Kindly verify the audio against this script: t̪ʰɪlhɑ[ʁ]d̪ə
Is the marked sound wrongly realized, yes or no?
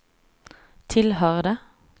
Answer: no